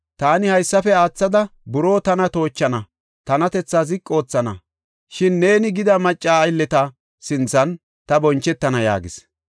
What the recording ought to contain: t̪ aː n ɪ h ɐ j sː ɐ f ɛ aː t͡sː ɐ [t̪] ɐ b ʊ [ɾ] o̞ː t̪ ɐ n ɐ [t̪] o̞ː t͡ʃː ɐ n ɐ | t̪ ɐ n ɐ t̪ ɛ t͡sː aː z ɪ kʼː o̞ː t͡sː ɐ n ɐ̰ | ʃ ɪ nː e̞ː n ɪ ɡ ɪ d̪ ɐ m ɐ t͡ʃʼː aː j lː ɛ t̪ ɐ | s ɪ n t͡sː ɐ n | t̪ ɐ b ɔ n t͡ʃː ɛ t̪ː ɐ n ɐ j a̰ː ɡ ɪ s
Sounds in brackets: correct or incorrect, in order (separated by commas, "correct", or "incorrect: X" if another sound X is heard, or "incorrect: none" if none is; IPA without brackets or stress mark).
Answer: incorrect: d̪, correct, correct